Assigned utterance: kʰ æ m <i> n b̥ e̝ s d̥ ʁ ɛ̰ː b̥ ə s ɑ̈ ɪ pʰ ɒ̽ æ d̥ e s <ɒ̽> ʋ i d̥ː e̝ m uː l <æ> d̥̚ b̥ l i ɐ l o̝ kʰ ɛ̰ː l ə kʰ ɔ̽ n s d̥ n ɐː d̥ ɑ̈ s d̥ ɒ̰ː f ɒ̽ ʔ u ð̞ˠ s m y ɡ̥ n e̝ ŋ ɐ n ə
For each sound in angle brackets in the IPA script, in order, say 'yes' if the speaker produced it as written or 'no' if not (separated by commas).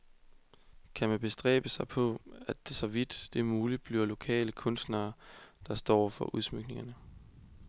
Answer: no, yes, no